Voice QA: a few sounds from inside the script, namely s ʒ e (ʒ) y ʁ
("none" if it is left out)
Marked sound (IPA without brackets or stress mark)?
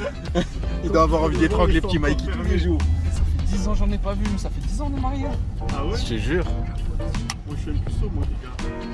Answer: ʒ